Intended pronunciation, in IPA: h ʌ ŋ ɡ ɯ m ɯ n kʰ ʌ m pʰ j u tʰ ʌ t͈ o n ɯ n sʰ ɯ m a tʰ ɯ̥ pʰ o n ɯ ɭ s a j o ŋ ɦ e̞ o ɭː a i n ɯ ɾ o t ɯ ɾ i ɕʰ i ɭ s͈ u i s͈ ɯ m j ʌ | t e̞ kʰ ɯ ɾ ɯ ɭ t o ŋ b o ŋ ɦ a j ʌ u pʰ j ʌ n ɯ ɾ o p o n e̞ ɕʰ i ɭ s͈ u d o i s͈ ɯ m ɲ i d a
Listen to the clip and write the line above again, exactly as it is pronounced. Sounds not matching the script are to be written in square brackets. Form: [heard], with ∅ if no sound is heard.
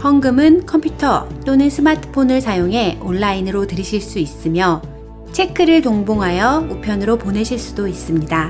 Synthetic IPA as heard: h ʌ ŋ ɡ ɯ m ɯ n kʰ ʌ m pʰ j u tʰ ʌ t͈ o n ɯ n sʰ ɯ m a tʰ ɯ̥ pʰ o n ɯ ɭ s a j o ŋ ɦ e̞ o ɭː a i n ɯ ɾ o t ɯ ɾ i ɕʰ i ɭ s͈ u i s͈ ɯ m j ʌ | [t͡ɕʰ] e̞ kʰ ɯ ɾ ɯ ɭ t o ŋ b o ŋ ɦ a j ʌ u pʰ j ʌ n ɯ ɾ o p o n e̞ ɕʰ i ɭ s͈ u d o i s͈ ɯ m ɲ i d a